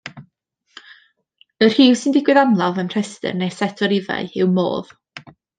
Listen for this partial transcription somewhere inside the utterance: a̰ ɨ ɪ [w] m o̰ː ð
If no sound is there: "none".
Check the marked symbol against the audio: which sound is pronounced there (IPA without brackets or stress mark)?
w